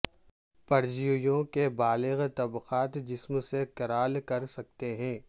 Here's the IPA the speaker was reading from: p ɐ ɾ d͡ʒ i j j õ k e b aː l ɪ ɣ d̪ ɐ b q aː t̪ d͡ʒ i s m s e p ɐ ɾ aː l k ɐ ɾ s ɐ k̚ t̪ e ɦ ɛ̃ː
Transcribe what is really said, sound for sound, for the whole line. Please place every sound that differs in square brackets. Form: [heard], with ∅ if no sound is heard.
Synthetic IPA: p ɐ ɾ d͡ʒ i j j õ k e b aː l ɪ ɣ [t̪] ɐ b q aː t̪ d͡ʒ [ɪ] s m s e [k] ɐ ɾ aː l k ɐ ɾ s ɐ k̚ t̪ e ɦ ɛ̃ː